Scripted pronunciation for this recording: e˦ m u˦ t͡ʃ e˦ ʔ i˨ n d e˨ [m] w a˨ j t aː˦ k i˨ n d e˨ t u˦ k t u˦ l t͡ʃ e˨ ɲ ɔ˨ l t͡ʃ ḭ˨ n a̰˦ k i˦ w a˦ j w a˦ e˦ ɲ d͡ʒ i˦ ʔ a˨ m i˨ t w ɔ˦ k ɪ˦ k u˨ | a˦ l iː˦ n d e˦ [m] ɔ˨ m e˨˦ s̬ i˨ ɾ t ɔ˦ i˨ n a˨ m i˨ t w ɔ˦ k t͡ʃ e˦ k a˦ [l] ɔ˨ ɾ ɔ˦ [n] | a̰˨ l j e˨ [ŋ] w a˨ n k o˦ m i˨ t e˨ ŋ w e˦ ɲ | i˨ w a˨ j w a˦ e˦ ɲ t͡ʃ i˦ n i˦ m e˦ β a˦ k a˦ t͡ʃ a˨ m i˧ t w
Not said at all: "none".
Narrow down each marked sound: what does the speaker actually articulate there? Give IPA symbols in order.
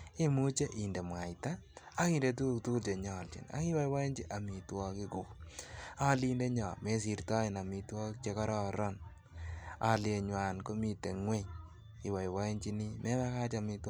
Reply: m, ɲ, ɾ, n, ɲ

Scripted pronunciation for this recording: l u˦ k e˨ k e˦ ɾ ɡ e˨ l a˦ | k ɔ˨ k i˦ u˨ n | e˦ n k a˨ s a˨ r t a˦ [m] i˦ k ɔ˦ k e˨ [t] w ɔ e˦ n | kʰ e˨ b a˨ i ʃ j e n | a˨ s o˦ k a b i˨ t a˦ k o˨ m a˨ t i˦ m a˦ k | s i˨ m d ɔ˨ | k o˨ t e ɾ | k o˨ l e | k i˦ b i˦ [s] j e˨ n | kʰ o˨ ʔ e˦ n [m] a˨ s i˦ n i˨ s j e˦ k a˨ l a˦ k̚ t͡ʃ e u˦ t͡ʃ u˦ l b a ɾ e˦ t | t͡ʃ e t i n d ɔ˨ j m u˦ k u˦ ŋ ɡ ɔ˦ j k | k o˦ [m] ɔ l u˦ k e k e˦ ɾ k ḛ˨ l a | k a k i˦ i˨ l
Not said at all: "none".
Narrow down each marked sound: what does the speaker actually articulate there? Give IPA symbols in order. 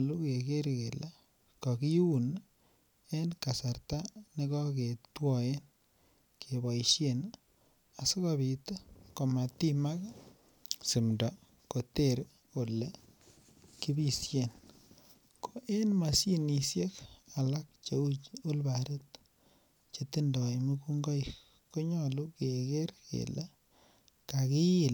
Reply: n, t, s, m, ɲ

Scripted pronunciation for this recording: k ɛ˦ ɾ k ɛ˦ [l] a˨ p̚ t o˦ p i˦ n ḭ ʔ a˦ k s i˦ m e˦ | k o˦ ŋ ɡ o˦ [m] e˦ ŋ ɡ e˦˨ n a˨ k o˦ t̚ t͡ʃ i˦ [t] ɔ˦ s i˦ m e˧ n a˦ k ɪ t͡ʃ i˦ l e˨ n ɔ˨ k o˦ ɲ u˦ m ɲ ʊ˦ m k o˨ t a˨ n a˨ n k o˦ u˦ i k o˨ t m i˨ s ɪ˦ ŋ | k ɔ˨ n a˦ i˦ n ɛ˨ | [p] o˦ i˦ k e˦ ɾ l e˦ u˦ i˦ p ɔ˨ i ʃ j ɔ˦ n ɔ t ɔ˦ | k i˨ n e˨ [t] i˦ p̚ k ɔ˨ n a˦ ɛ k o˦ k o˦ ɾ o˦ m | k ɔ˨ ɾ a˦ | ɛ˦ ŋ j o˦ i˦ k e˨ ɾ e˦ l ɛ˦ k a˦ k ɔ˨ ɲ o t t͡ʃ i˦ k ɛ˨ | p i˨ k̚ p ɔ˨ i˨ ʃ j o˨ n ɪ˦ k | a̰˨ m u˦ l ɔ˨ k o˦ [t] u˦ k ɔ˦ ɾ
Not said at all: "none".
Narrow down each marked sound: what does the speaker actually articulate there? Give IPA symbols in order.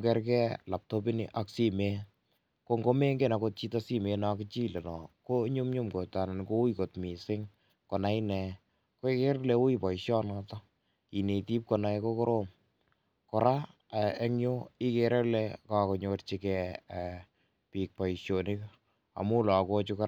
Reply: l, m, t, k, t, t͡ʃ

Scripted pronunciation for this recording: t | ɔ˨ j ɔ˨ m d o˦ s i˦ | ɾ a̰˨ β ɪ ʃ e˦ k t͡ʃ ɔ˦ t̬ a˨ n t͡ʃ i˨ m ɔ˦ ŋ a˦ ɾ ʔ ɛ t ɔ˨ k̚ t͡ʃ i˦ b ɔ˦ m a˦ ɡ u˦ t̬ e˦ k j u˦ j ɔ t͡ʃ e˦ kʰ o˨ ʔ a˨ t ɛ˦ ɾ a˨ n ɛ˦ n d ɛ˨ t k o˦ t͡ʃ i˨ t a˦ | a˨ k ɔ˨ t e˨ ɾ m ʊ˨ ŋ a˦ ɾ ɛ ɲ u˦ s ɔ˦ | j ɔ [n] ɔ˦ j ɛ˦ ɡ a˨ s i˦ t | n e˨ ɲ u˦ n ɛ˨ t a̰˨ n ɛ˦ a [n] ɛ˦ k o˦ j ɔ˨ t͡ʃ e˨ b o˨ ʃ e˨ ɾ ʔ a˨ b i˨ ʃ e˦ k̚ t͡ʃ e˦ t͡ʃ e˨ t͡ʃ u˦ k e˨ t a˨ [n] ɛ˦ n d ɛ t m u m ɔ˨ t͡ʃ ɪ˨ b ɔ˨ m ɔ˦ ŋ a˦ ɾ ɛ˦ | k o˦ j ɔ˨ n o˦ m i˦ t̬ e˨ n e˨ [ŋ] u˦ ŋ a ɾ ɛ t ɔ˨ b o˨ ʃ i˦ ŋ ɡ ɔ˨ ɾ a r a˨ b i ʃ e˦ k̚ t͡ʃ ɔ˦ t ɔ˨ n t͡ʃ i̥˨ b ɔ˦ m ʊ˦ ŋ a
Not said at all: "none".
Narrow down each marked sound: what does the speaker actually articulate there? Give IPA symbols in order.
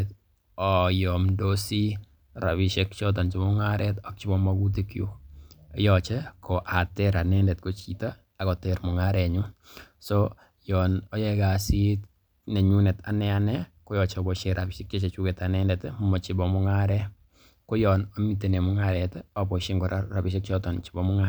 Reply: n, n, n, m

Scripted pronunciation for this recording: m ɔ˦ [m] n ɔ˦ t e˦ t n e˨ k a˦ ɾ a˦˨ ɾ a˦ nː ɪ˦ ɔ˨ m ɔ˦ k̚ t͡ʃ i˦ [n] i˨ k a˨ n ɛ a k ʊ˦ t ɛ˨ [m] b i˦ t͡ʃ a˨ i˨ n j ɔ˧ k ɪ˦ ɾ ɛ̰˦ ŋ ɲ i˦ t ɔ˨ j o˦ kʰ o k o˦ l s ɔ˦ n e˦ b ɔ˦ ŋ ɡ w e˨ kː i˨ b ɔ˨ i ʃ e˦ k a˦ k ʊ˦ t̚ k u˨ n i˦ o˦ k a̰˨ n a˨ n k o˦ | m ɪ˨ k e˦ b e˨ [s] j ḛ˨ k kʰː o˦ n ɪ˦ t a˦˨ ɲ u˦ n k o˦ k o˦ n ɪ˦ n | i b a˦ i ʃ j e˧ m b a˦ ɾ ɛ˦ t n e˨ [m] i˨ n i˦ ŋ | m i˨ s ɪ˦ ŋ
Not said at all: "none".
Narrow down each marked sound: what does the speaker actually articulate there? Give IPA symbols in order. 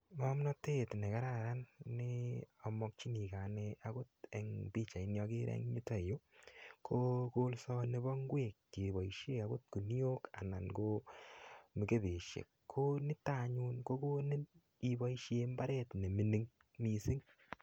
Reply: m, n, ŋ, ʃ, m

